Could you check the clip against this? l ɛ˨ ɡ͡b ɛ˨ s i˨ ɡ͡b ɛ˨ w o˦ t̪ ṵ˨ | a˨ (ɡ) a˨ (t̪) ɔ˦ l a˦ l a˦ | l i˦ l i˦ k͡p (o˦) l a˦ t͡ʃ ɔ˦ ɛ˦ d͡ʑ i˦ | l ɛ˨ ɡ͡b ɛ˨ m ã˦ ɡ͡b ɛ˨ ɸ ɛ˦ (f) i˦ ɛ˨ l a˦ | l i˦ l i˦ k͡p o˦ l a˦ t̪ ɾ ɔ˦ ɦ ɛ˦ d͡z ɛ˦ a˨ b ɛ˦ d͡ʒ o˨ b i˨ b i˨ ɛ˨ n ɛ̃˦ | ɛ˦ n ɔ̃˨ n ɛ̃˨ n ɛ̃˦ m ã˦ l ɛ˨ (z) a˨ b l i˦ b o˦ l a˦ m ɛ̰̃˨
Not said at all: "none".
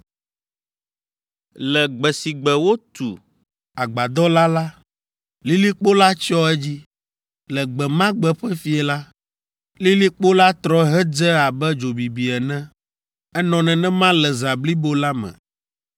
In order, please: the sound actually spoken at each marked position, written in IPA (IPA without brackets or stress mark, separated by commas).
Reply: ɡ͡b, d̪, o˦, f, z